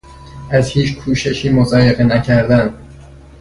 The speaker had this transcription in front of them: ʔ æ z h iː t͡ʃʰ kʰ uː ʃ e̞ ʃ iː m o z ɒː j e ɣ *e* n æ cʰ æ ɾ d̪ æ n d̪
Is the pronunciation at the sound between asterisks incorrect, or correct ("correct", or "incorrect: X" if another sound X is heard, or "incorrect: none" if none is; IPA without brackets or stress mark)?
correct